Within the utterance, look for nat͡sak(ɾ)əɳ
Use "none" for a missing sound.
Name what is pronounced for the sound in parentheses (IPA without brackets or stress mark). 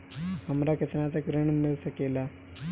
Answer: ɾ